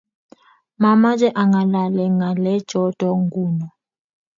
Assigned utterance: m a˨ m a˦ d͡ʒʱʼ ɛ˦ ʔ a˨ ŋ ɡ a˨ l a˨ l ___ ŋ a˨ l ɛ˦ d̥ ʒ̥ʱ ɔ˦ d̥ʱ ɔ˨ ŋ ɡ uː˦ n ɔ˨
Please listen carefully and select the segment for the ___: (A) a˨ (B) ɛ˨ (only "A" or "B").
B